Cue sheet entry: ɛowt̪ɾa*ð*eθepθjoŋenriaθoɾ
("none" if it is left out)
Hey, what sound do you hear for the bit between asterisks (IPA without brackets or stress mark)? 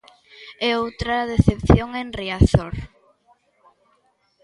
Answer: ð